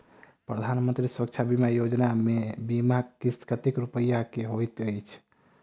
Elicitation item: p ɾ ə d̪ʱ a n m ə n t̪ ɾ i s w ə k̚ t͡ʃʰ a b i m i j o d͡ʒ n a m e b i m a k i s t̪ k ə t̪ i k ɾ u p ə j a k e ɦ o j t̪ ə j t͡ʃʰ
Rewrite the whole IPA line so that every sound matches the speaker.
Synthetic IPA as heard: p ɾ ə d̪ʱ a n m ə n t̪ ɾ i s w ə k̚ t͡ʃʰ a b i m a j o d͡ʒ n a m e b i m a k i s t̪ k ə t̪ i k ɾ u p ə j a k e ɦ o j t̪ ə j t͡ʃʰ